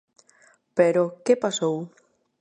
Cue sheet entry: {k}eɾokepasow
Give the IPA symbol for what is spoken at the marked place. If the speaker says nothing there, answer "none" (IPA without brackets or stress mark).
p